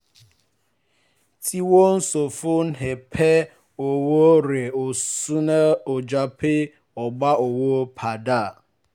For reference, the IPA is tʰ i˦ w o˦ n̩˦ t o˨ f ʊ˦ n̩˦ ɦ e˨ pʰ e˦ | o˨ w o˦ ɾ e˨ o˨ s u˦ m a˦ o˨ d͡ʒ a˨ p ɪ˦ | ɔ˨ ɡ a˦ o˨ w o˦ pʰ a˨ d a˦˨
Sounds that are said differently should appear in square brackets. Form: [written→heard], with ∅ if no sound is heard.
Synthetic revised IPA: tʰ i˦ w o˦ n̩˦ [t→s] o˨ f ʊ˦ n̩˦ ɦ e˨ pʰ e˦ | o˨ w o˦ ɾ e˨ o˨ s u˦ [m→n] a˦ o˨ d͡ʒ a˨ p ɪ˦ | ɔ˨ [ɡ→ɡ͡b] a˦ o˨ w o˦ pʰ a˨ d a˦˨